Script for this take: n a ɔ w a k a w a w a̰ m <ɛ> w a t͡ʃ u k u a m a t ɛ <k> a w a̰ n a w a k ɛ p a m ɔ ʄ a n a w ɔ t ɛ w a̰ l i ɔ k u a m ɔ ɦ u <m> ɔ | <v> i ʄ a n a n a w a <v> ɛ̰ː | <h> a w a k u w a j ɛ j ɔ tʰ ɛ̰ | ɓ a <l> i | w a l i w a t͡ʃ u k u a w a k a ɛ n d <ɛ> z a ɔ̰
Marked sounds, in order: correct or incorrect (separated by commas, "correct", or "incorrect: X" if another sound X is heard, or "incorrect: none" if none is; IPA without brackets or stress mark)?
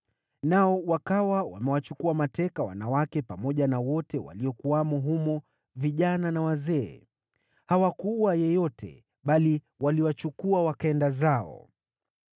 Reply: correct, correct, correct, correct, incorrect: z, correct, correct, incorrect: a